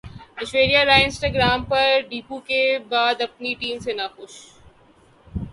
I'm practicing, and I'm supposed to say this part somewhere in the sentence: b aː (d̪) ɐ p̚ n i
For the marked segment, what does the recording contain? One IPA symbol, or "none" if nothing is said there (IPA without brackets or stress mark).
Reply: d̪